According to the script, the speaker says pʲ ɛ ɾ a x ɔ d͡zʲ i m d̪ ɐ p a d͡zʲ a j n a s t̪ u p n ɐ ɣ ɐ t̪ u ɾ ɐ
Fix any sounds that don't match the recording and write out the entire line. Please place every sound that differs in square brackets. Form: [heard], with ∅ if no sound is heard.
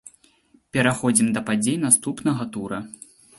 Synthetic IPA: pʲ ɛ ɾ a x ɔ d͡zʲ i m d̪ ɐ p a d͡zʲ [e] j n a s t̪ u p n ɐ ɣ ɐ t̪ u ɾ ɐ